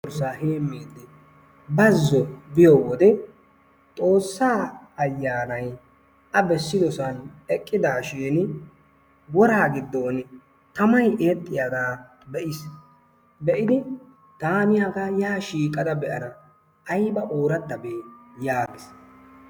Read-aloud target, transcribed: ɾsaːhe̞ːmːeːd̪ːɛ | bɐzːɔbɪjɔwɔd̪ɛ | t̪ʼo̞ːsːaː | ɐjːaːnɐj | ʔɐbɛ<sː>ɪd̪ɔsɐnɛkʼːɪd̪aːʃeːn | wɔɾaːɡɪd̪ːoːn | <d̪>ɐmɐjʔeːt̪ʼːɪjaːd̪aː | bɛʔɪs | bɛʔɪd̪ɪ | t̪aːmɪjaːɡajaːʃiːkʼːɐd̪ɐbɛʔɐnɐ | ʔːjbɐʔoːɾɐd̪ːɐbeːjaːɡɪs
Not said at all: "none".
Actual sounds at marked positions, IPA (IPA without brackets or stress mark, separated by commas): sː, t̪